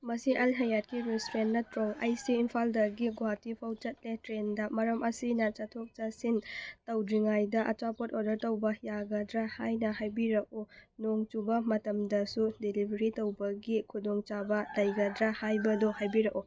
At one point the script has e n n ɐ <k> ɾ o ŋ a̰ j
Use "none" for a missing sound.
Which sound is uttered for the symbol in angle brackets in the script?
t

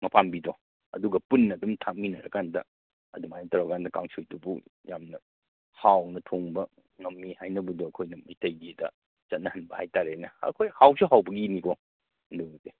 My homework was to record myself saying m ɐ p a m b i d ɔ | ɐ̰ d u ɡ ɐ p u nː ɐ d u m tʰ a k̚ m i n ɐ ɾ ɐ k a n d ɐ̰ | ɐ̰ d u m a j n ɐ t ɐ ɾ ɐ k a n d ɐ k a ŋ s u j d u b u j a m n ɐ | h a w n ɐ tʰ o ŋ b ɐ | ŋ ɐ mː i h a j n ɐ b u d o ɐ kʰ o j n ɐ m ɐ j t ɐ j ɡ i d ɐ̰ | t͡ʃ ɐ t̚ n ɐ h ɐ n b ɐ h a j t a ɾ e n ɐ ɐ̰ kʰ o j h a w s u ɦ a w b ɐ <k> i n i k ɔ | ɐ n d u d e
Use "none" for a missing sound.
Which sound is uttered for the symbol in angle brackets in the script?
ɡ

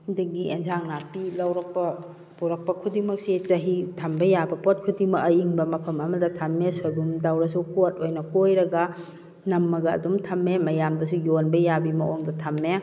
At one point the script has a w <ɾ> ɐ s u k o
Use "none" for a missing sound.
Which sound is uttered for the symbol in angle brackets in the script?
ɾ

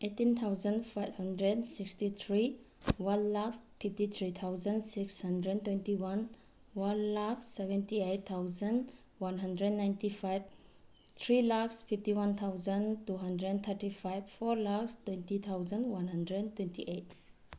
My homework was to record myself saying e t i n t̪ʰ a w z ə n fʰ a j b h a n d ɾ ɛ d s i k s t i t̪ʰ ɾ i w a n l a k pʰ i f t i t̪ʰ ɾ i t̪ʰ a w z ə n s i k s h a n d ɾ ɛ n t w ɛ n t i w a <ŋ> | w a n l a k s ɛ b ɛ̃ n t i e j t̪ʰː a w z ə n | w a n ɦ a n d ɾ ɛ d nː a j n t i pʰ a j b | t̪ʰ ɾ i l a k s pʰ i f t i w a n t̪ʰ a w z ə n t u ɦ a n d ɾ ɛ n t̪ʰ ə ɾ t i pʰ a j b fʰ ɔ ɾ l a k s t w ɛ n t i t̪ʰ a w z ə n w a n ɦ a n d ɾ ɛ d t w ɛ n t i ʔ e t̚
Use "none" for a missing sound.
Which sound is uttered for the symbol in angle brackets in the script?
n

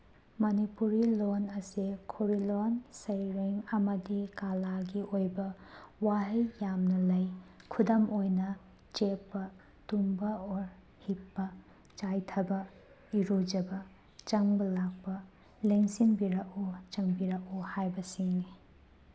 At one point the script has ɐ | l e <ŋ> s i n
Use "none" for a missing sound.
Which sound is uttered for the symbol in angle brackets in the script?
ŋ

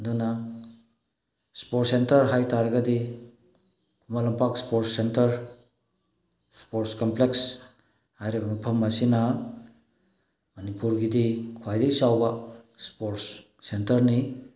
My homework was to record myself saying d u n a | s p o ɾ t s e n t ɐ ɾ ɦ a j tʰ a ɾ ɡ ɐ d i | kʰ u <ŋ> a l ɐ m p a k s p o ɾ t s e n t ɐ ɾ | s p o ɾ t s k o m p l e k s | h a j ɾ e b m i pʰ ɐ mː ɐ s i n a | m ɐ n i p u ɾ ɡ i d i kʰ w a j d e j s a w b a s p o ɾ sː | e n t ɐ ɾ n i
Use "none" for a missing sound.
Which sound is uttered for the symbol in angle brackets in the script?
m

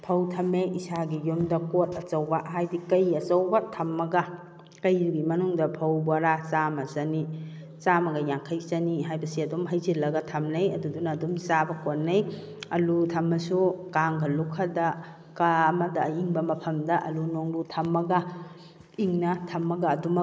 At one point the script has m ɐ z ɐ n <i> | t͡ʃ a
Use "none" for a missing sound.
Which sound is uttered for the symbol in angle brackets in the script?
i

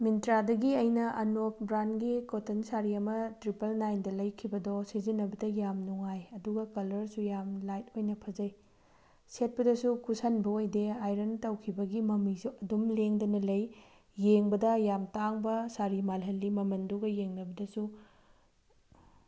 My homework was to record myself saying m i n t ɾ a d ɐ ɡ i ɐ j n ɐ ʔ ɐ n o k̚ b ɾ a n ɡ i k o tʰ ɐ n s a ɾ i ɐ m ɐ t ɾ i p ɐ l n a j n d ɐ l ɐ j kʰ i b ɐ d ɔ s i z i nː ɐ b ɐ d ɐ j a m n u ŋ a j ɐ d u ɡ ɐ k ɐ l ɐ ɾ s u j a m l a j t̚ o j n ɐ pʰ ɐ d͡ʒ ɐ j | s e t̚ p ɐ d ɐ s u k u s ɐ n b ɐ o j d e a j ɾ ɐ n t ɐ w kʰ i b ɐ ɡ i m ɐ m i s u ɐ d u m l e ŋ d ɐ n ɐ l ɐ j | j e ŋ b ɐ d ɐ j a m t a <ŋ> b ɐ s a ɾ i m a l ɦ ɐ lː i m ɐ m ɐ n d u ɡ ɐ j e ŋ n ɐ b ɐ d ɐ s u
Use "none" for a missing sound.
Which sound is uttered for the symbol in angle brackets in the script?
ŋ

